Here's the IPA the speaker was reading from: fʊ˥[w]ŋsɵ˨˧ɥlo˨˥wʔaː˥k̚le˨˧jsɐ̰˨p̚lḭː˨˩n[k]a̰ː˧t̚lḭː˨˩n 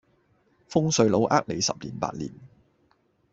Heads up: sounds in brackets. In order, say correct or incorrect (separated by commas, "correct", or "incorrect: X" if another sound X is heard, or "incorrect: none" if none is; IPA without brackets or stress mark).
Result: incorrect: none, incorrect: p